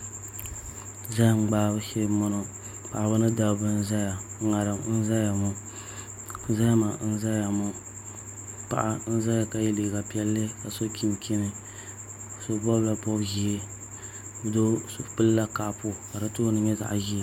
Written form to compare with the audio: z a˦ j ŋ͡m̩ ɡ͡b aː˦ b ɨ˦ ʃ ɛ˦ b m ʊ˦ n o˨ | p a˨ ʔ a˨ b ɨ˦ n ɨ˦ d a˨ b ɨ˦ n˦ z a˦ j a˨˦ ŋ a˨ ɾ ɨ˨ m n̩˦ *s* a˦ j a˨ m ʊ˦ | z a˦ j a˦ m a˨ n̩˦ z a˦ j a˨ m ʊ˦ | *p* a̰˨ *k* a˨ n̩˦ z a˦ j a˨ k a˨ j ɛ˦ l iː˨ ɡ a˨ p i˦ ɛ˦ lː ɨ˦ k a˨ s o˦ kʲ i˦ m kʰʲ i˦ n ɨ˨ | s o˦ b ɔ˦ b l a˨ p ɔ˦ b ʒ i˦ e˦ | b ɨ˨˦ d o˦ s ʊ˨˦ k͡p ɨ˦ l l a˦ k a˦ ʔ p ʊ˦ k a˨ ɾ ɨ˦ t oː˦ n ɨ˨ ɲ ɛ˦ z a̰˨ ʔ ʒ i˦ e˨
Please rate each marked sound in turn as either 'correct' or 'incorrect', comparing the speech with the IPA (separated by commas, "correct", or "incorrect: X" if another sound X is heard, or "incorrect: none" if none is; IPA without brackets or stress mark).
incorrect: z, correct, incorrect: ʔ